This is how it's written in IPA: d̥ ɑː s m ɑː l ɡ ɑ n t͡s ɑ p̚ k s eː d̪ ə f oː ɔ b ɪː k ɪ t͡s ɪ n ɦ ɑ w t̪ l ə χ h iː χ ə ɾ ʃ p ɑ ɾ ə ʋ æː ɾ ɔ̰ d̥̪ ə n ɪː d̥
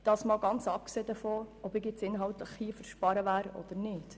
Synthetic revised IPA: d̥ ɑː s m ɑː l ɡ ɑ n t͡s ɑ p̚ k s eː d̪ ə f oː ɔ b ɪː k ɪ t͡s ɪ n ɦ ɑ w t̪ l ə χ h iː f ə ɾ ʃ p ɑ ɾ ə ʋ æː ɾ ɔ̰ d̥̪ ə n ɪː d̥